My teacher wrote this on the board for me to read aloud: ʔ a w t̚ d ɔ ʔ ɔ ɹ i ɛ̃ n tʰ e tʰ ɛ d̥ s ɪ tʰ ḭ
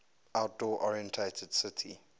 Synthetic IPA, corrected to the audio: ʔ a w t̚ d ɔ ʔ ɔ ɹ i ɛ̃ n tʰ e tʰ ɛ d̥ s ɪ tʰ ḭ